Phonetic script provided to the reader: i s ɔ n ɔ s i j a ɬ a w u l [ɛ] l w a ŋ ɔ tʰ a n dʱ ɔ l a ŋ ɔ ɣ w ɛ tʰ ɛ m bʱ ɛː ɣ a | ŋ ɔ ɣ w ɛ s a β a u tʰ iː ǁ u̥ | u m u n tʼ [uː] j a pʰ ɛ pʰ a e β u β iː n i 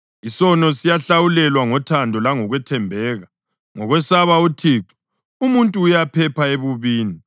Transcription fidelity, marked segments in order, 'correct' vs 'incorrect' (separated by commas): correct, correct